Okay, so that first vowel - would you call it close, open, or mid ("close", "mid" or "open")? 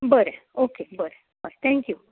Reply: mid